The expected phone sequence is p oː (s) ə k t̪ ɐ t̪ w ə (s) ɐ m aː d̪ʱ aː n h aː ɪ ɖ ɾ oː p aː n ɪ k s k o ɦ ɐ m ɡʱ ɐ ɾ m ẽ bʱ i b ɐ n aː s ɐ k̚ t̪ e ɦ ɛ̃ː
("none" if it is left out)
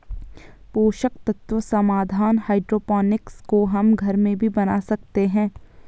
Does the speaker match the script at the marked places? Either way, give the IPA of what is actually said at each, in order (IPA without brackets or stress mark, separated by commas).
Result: ʃ, s